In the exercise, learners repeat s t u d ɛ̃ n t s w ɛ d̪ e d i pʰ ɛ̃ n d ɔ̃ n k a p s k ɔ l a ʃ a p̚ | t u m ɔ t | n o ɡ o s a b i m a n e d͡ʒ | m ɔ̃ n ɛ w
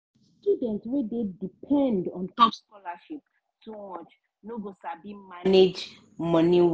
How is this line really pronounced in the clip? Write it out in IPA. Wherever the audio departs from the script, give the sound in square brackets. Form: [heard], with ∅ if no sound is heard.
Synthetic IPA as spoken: s t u d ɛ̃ n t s w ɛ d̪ e d i pʰ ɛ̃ n d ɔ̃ n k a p s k ɔ l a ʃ [i] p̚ | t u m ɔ [t͡ʃ] | n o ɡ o s a b i m a n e d͡ʒ | m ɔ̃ n [i] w